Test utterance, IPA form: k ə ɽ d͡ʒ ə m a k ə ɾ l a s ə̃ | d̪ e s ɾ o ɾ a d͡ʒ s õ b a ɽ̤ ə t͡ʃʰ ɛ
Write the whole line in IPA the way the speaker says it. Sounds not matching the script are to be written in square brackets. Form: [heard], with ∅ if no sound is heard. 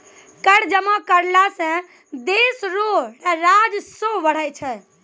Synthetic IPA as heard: k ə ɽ d͡ʒ ə m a k ə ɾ l a s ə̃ | d̪ e s ɾ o ɾ a d͡ʒ s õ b [ə] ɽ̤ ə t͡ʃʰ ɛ

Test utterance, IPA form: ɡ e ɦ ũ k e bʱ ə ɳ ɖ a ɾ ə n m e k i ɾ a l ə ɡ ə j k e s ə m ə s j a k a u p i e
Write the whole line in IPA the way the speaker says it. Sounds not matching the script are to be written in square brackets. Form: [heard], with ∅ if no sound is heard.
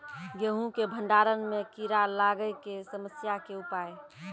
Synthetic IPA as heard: ɡ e ɦ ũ k e bʱ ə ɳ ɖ a ɾ ə n m e k i ɾ a l [a] ɡ ə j k e s ə m ə s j a k [e] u p [a] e

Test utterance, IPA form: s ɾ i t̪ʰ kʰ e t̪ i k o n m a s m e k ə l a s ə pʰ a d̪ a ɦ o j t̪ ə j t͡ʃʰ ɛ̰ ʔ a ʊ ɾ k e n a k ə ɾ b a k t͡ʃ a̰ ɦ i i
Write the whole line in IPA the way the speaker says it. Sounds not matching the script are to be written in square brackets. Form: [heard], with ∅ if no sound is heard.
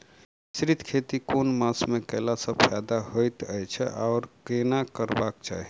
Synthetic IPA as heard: s ɾ i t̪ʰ kʰ e t̪ i k o n m a s m e k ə l a s ə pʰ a d̪ a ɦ o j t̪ ə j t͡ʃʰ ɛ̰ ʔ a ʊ ɾ k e n a k ə ɾ b a k t͡ʃ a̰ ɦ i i

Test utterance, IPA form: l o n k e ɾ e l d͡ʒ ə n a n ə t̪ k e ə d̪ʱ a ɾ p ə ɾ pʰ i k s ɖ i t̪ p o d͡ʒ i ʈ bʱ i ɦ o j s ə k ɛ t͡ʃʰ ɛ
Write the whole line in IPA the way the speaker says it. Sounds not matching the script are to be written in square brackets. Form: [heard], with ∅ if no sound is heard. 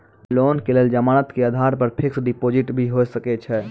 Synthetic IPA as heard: l o n k e [l] e l d͡ʒ ə [m] a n ə t̪ k e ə d̪ʱ a ɾ p ə ɾ pʰ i k s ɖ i [∅] p o d͡ʒ i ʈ bʱ i ɦ o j s ə k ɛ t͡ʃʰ ɛ

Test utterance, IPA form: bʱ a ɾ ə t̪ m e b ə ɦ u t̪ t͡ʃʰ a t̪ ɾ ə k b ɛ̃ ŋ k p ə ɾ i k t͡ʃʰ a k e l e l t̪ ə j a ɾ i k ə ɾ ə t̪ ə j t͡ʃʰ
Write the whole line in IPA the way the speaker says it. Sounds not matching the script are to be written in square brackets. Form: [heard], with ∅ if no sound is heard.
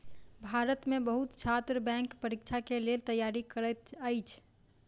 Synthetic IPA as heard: bʱ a ɾ ə t̪ m e b ə ɦ u t̪ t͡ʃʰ a t̪ ɾ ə [∅] b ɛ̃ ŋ k p ə ɾ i k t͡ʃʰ a k e l e l t̪ ə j a ɾ i k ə ɾ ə t̪ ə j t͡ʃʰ

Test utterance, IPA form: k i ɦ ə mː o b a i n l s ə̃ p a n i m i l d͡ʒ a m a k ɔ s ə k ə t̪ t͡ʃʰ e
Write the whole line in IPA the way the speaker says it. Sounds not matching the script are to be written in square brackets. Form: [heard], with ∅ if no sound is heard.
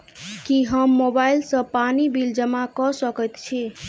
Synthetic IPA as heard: k i ɦ ə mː o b a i [∅] l s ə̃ p a n i [b] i l d͡ʒ [ə] m a k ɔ s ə k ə t̪ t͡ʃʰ [i]

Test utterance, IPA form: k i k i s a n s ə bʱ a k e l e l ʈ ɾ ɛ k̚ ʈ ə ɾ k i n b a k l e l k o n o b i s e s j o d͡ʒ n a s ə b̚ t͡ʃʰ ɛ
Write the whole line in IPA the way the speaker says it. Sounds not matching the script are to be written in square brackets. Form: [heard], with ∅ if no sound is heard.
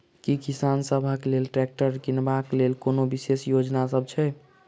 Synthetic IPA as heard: k i k i s a n s ə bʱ a k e l e l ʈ ɾ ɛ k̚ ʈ ə ɾ k i n b a k l e l k o n o b i s e s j o d͡ʒ n a s ə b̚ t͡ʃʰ ɛ

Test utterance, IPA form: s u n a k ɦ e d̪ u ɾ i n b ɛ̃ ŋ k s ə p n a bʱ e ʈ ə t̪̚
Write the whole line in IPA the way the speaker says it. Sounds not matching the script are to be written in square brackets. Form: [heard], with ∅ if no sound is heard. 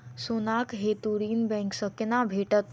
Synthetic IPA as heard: s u n a k ɦ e [t̪] u ɾ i n b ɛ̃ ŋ k s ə [k] n a bʱ e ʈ ə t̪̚

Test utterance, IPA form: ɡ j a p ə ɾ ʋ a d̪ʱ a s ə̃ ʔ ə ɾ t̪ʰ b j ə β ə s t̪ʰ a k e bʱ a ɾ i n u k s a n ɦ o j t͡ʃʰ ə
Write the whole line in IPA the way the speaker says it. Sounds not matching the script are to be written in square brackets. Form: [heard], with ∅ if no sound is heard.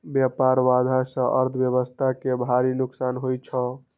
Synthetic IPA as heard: [b] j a p [a] ɾ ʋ a d̪ʱ a s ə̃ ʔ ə ɾ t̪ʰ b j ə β ə s t̪ʰ a k e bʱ a ɾ i n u k s a n ɦ o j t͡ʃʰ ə

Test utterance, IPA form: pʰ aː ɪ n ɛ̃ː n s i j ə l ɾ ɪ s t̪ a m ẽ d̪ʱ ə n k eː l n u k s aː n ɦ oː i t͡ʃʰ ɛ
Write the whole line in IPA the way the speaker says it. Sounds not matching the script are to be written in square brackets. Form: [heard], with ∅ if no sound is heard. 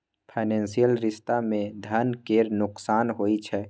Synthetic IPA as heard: pʰ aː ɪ n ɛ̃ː n s i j ə l ɾ ɪ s t̪ a m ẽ d̪ʱ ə n k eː [ɾ] n [ʊ] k s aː n ɦ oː i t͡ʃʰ ɛ

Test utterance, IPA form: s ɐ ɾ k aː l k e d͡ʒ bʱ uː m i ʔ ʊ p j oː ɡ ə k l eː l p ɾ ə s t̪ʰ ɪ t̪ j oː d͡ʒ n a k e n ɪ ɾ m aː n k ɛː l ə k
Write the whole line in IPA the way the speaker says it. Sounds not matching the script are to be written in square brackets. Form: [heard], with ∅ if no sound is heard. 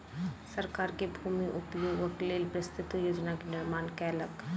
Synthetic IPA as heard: s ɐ ɾ k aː [ɾ] k e [∅] bʱ uː m i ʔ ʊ p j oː ɡ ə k l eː l p ɾ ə s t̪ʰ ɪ t̪ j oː d͡ʒ n a k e n ɪ ɾ m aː n k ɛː l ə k

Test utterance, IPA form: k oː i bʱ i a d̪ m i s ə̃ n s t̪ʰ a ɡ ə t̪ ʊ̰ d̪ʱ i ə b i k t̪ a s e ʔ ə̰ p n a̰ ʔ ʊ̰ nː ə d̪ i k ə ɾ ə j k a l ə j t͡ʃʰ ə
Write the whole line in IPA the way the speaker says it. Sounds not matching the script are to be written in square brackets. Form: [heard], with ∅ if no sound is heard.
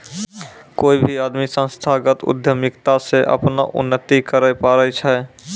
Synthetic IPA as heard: k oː i bʱ i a d̪ m i s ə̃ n s t̪ʰ a ɡ ə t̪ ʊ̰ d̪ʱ [j] ə [m] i k t̪ a s e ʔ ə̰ p n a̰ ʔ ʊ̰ nː ə [t̪] i k ə ɾ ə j [p] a [ɾ] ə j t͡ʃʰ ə

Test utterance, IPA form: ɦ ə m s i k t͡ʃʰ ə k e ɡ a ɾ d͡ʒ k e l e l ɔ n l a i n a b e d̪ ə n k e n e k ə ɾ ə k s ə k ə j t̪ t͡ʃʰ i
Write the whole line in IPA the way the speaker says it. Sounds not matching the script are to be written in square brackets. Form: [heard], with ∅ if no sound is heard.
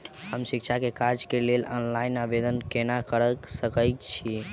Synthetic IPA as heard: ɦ ə m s i k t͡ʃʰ [a] k e [k] a ɾ d͡ʒ k e l e l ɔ n l a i n a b e d̪ ə n k e n [a] k ə ɾ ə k s ə k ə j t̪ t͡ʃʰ i

